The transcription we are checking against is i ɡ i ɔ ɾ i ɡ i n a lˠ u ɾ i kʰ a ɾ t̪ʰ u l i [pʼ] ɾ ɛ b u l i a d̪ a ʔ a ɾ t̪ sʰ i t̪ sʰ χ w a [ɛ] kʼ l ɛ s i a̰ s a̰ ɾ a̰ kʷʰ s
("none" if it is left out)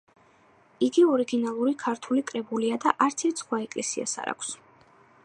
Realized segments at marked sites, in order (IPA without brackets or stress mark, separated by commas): kʼ, ɛ